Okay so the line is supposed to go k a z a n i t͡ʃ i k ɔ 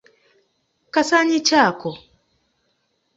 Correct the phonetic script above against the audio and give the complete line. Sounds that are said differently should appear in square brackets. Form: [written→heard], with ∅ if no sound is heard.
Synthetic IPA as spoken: k a [z→s] a [n→ɲ] i t͡ʃ [i→a] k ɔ